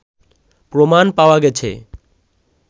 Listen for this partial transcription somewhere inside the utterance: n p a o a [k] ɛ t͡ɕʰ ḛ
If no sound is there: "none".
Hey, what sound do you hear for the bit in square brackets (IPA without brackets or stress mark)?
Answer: ɡ